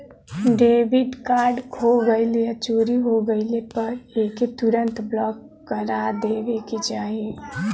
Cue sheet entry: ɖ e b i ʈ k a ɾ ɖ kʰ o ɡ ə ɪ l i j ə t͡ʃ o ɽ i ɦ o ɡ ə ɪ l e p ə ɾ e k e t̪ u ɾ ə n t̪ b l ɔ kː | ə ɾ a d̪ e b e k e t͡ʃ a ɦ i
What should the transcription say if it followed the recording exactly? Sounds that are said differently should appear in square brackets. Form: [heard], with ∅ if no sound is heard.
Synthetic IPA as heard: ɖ e b i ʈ k a ɾ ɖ kʰ o ɡ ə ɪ l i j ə t͡ʃ o [ɾ] i ɦ o ɡ ə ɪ l e p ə ɾ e k e t̪ u ɾ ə n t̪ b l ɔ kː | ə ɾ a d̪ e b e k e t͡ʃ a ɦ i